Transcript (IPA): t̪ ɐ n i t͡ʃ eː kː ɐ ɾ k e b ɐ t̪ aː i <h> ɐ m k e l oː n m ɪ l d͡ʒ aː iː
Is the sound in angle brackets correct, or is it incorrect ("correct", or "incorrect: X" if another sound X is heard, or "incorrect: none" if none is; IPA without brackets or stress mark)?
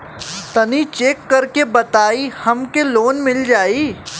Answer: correct